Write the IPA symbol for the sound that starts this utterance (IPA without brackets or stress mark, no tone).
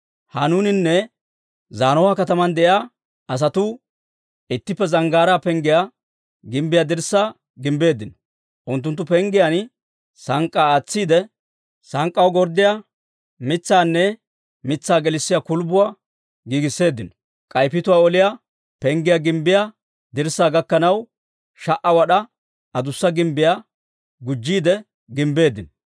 h